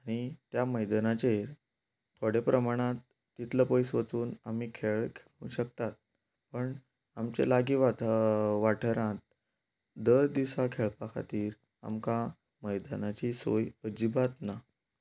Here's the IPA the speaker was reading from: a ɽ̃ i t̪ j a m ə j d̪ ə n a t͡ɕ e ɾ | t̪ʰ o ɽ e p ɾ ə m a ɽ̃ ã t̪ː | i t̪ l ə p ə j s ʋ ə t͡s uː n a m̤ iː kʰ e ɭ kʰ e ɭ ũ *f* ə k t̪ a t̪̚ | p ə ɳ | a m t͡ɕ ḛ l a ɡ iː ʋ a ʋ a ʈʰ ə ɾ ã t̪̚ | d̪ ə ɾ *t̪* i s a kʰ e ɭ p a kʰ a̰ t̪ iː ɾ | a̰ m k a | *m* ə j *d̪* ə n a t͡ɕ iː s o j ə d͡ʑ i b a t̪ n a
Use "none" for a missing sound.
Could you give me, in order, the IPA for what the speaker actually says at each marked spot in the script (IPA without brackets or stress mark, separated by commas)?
ɕ, d̪, m, d̪